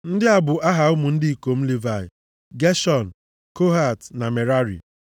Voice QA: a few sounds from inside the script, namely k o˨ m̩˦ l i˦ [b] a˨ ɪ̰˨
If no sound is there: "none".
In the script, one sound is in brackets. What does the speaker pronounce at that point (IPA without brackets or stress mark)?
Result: v